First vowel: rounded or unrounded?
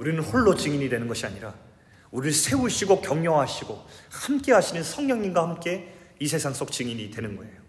rounded